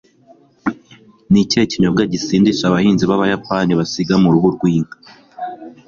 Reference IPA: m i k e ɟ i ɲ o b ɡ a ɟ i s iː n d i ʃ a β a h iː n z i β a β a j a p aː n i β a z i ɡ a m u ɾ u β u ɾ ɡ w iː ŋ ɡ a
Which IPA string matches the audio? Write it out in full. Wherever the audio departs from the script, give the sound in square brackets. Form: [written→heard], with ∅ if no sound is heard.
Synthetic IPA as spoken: [m→n] i [k→c] e [ɟ→c] i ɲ o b ɡ a ɟ i s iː n d i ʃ a β a h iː n z i β a β a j a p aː n i β a [z→s] i ɡ a m u ɾ u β u ɾ ɡ w iː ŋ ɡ a